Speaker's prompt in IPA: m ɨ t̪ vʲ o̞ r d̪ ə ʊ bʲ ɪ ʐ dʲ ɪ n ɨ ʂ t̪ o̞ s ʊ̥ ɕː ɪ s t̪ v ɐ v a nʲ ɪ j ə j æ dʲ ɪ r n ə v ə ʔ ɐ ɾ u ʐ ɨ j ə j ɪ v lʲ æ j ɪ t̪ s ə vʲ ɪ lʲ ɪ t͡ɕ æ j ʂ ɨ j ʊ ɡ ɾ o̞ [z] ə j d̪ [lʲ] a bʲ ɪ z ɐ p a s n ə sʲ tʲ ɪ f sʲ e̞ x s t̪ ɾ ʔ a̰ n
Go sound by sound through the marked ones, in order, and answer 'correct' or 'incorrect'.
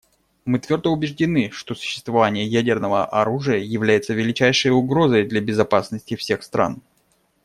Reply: correct, correct

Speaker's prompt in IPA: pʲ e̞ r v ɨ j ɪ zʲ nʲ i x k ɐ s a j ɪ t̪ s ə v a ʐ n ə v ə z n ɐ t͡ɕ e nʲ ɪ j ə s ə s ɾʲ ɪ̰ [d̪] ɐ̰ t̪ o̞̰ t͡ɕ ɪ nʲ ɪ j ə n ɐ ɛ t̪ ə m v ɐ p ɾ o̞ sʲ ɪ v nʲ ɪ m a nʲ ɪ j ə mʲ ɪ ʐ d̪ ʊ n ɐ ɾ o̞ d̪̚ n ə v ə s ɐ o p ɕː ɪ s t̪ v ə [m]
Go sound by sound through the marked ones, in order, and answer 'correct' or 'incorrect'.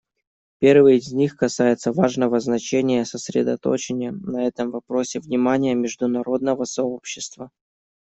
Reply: correct, incorrect: none

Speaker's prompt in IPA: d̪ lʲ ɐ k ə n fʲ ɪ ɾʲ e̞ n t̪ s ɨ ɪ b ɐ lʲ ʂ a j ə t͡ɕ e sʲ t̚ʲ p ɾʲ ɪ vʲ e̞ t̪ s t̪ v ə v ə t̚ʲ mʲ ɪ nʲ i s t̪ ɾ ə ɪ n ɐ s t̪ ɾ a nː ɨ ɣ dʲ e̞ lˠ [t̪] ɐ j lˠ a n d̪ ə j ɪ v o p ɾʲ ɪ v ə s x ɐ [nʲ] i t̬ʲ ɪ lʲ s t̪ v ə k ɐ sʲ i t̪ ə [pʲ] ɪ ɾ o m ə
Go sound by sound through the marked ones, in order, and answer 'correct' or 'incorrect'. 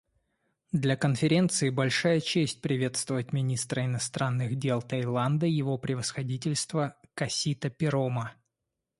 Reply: correct, incorrect: dʲ, correct

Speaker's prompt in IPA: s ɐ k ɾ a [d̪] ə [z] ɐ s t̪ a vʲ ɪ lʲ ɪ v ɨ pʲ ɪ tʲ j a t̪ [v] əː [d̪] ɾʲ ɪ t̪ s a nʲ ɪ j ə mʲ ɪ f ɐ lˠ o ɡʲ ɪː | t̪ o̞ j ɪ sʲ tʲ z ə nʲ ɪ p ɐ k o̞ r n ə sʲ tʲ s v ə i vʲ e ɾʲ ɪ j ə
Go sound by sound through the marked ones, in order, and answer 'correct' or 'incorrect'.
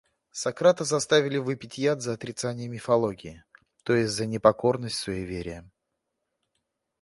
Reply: incorrect: t̪, correct, incorrect: z, incorrect: t̪

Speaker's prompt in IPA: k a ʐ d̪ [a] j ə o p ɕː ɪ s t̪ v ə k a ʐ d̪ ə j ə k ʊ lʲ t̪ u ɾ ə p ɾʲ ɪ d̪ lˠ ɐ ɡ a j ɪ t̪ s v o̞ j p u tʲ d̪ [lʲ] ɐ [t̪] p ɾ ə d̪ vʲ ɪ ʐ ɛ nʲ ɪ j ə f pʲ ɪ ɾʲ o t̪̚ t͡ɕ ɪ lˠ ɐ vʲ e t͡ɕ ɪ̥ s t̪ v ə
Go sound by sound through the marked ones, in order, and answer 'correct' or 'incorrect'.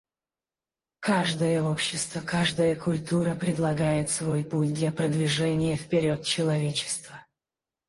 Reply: incorrect: ə, correct, incorrect: none

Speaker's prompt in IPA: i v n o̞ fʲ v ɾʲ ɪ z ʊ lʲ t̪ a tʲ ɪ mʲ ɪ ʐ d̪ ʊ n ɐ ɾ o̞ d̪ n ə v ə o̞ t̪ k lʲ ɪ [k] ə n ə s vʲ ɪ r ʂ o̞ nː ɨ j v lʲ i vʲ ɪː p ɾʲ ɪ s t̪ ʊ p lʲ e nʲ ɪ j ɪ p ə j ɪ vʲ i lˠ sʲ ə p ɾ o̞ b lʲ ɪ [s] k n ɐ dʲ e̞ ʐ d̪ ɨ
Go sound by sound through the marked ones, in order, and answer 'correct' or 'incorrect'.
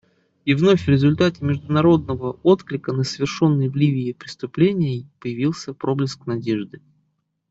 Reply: correct, correct

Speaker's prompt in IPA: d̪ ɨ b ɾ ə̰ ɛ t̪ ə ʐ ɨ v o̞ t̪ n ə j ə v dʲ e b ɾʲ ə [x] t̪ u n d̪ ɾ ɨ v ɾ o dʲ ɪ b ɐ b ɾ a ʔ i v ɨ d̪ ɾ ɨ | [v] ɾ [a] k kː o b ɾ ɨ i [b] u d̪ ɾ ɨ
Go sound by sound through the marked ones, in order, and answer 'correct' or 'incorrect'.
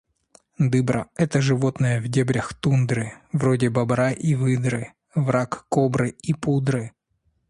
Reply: correct, correct, correct, incorrect: p

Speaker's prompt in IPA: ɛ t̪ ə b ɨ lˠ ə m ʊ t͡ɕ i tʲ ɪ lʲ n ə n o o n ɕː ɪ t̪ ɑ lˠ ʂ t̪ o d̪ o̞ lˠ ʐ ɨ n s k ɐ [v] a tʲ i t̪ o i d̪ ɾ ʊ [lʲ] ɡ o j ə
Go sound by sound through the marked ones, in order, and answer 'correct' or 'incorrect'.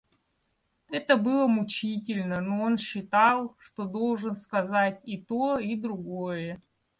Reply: incorrect: z, incorrect: none

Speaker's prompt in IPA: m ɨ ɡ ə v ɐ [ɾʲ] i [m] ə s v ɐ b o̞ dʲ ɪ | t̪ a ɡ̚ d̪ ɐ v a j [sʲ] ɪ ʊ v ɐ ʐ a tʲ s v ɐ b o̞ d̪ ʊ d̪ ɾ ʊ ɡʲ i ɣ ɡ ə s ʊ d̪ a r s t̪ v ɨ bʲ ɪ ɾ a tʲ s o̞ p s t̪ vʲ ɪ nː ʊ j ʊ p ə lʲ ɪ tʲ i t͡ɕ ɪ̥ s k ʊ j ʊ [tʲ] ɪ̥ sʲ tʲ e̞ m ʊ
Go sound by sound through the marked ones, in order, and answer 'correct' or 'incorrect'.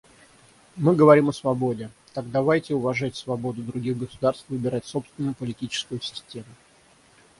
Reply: correct, correct, incorrect: tʲ, incorrect: sʲ

